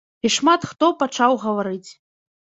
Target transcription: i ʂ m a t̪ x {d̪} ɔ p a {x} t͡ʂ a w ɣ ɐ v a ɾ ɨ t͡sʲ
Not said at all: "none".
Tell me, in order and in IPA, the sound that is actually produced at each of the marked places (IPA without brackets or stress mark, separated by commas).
t̪, none